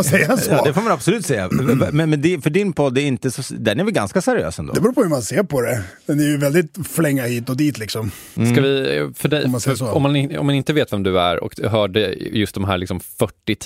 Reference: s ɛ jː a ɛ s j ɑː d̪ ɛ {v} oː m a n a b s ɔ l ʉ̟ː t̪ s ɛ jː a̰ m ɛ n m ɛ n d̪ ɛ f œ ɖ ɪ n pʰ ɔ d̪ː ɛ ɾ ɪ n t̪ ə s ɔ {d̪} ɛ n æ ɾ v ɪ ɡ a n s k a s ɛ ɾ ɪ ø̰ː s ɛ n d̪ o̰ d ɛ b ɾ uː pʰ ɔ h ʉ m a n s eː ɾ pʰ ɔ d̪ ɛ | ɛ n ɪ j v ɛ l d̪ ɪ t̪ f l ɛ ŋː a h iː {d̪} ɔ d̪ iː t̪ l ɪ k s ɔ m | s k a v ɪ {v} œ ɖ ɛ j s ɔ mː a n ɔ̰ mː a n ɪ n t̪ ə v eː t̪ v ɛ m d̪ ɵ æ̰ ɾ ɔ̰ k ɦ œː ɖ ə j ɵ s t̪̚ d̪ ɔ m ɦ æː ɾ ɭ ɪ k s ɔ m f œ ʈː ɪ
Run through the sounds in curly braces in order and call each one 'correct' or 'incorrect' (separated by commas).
incorrect, correct, incorrect, incorrect